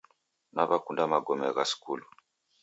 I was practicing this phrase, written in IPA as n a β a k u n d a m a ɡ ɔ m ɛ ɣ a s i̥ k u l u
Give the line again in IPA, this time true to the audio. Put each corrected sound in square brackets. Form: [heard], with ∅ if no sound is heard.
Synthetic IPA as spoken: n a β a k u n d a m a ɡ ɔ m ɛ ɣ a s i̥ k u l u

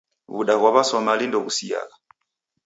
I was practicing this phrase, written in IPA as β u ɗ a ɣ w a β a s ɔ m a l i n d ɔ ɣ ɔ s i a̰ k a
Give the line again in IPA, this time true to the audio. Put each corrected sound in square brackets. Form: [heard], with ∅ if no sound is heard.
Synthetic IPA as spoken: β u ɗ a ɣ w a β a s ɔ m a l i n d ɔ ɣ [u] s i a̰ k a

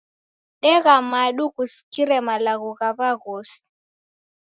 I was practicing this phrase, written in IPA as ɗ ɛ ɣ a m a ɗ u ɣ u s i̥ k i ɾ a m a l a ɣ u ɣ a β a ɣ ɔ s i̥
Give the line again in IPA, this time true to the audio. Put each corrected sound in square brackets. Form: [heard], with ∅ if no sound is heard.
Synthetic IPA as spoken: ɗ ɛ ɣ a m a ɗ u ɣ u s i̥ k i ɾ [ɛ] m a l a ɣ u ɣ a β a ɣ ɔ s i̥

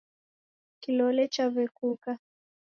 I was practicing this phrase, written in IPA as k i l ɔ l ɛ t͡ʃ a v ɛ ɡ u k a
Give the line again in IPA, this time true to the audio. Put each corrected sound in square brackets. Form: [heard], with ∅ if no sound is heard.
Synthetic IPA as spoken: k i l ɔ l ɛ t͡ʃ a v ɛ [k] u k a

